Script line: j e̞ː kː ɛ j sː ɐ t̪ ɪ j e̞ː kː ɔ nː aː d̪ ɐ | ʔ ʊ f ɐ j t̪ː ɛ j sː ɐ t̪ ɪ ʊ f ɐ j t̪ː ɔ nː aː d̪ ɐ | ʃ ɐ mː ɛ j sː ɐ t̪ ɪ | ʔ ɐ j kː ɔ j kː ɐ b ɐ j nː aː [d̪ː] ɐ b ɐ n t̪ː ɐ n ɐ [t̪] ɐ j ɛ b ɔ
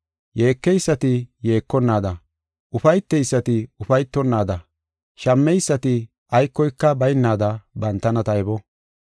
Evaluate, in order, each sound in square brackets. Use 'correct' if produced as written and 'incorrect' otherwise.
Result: incorrect, correct

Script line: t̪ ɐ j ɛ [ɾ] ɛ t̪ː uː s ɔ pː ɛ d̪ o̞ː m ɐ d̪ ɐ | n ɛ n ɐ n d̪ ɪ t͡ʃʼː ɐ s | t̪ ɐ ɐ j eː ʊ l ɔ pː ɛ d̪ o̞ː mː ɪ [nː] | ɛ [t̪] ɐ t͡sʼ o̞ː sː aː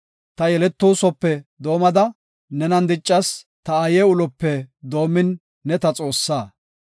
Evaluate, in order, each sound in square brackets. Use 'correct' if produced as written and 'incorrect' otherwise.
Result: incorrect, correct, correct

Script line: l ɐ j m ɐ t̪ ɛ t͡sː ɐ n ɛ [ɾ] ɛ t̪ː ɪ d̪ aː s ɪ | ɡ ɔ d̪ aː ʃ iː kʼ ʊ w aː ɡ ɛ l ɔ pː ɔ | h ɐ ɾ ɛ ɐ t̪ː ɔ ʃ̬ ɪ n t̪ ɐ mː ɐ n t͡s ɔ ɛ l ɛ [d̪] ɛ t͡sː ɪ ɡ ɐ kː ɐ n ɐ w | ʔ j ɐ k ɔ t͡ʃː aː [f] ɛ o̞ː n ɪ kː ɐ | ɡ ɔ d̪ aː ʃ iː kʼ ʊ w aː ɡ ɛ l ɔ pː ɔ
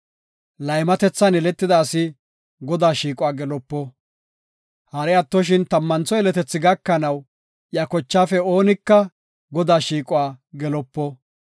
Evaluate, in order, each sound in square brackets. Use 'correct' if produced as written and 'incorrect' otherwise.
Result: incorrect, incorrect, correct

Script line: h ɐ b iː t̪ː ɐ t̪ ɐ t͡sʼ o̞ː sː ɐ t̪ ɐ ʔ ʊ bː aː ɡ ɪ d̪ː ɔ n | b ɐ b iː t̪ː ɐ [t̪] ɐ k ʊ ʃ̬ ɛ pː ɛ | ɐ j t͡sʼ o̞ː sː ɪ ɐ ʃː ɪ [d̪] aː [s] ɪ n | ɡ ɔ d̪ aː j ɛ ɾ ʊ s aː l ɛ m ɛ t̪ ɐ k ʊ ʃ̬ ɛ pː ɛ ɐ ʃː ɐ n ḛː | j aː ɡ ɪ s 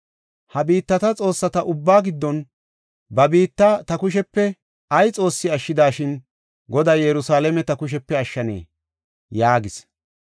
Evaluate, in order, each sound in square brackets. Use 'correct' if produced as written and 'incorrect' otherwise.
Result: correct, correct, incorrect

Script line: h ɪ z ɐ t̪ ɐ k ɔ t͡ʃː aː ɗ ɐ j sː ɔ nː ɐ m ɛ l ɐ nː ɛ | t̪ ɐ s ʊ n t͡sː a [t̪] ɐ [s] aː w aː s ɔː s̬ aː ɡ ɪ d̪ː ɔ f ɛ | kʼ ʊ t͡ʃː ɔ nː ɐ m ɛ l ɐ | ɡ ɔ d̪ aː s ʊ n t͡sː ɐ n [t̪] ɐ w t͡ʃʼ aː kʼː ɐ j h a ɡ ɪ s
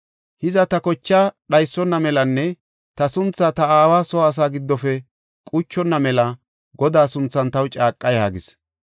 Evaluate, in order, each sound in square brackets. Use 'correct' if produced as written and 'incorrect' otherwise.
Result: correct, incorrect, correct

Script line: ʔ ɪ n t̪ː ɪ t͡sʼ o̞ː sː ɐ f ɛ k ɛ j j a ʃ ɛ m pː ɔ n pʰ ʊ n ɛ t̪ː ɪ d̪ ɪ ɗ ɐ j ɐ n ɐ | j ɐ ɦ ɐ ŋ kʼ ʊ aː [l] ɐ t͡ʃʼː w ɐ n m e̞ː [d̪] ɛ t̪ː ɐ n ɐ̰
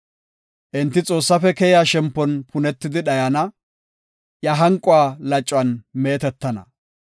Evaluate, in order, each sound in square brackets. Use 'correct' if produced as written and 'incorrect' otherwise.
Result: correct, incorrect

